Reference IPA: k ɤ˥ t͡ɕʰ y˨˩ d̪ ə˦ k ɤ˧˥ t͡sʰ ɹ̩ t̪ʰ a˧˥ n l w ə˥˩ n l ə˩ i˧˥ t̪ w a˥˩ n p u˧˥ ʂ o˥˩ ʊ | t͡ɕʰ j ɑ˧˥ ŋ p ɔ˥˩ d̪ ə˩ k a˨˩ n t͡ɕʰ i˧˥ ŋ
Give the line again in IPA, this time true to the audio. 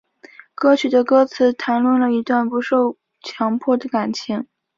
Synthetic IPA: k ɤ˥ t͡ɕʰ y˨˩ d̪ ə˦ k ɤ˥ t͡sʰ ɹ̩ t̪ʰ a˧˥ n l w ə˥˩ n l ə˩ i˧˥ t̪ w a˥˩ n p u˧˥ ʂ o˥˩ ʊ | t͡ɕʰ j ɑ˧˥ ŋ pʰ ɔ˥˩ d̪ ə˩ k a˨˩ n t͡ɕʰ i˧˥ ŋ